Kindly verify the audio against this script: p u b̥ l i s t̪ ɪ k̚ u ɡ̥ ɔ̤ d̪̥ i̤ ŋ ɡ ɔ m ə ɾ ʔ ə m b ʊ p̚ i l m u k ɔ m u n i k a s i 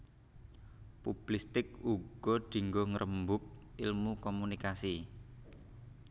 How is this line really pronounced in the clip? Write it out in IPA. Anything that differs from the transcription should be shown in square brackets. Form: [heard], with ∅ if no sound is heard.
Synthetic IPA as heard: p u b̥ l i s t̪ ɪ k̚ u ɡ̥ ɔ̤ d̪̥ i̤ ŋ ɡ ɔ [ŋ] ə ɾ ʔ ə m b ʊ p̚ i l m u k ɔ m u n i k a s i